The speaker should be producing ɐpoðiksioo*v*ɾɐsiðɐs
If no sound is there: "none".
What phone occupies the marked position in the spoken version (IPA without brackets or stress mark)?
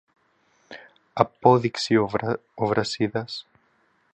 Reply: v